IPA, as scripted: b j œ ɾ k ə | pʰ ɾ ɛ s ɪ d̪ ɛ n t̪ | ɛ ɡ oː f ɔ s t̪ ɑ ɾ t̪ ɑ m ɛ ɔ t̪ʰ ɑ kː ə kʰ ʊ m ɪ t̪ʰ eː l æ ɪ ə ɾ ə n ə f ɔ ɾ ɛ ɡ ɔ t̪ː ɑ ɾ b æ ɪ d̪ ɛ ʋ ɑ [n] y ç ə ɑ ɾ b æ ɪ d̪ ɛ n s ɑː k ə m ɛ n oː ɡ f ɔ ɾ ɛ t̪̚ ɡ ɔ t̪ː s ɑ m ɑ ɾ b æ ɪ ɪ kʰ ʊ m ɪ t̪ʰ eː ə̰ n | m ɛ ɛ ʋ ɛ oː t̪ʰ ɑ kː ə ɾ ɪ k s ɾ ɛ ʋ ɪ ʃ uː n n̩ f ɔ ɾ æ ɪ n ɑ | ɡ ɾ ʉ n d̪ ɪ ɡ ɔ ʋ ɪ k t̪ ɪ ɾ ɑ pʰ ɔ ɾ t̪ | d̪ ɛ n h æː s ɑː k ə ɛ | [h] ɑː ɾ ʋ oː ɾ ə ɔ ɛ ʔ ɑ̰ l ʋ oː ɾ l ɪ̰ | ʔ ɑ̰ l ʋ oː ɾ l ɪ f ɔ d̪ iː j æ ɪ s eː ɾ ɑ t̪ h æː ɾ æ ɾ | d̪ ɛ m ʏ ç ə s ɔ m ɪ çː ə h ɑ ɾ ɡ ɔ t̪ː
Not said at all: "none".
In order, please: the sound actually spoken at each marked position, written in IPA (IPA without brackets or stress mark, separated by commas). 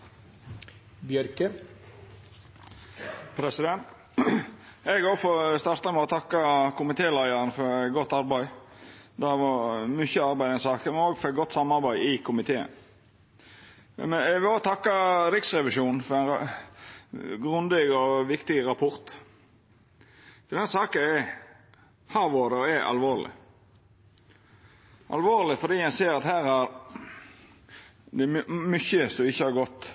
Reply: m, h